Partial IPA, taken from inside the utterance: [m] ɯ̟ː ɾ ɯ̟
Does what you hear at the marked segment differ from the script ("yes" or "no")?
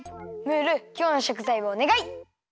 no